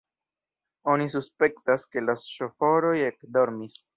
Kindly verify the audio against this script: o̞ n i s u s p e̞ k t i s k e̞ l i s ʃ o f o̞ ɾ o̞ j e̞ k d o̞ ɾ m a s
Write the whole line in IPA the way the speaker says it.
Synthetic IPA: o̞ n i s u s p e̞ k t a s k e̞ l a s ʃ o f o̞ ɾ o̞ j e̞ k d o̞ ɾ m i s